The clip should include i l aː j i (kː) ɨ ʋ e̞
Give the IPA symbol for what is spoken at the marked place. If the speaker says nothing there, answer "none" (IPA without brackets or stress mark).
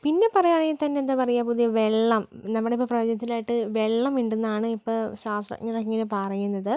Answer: ʈː